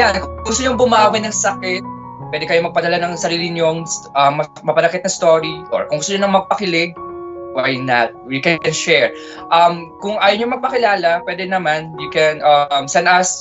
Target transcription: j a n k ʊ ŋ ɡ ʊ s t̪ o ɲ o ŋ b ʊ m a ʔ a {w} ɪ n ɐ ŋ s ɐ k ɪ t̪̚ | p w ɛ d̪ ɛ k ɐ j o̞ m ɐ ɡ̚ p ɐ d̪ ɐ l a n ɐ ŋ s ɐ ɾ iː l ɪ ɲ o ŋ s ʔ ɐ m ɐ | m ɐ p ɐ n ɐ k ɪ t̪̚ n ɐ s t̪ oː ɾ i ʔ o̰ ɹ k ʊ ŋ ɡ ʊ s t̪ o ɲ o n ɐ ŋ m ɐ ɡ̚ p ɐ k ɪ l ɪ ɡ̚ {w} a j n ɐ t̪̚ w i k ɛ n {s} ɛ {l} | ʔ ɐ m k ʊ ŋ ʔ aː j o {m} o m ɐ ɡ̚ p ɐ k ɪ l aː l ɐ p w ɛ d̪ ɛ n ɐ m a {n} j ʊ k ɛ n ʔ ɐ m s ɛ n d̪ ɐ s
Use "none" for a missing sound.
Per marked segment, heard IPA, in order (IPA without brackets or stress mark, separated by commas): w, w, ʃ, ɹ, ɲ, n